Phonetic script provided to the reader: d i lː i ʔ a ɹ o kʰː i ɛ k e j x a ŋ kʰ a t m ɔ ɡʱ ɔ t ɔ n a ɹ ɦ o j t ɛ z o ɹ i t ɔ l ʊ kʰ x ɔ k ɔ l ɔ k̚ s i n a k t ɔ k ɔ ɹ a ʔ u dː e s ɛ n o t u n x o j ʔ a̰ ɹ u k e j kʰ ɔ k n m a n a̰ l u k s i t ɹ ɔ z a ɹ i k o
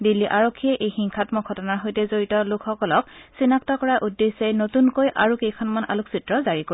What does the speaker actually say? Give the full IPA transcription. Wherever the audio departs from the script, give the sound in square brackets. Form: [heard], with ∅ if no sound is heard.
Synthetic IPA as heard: d i lː i ʔ a ɹ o kʰː i ɛ [ʔ] e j x [i] ŋ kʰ a t m ɔ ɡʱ ɔ t ɔ n a ɹ ɦ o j t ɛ z o ɹ i t ɔ l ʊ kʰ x ɔ k ɔ l ɔ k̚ s i n a k t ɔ k ɔ ɹ a ʔ u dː e s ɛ n o t u n [k] o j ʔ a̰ ɹ u k e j kʰ ɔ [∅] n m a n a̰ l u k s i t ɹ ɔ z a ɹ i k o